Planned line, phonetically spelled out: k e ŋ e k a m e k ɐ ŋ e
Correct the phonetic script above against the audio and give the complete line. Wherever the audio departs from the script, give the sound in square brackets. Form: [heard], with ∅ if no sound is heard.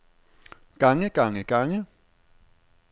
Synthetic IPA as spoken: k [a] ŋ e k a [ŋ] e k [a] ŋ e